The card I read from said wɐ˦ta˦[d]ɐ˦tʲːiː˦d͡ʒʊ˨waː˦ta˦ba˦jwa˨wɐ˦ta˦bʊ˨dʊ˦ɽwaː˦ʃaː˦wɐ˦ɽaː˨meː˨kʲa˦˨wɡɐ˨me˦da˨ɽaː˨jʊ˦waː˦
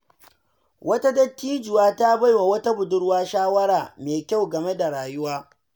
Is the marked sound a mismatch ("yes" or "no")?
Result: no